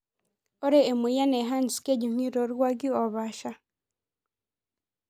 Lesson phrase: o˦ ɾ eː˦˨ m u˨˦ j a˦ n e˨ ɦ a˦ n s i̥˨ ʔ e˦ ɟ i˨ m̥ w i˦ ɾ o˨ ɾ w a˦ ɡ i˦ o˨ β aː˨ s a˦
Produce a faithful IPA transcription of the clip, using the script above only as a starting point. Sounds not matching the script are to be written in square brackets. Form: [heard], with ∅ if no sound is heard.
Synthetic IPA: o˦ ɾ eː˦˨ m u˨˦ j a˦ n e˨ ɦ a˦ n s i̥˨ [k] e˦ ɟ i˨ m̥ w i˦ ɾ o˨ ɾ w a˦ ɡ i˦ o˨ β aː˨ [ʃ] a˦